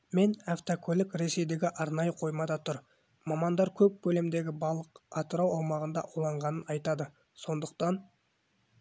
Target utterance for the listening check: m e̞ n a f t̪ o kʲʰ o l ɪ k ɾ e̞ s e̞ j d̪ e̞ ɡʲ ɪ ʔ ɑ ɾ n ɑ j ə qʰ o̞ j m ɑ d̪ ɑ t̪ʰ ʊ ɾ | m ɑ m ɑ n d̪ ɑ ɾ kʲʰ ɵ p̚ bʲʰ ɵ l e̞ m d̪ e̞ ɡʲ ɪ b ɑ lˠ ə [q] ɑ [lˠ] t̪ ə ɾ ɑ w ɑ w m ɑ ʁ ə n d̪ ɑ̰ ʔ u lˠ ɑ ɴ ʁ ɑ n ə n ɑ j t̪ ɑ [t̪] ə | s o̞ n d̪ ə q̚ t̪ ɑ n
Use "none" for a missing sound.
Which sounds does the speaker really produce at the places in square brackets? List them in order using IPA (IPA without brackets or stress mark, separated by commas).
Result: q, none, d̪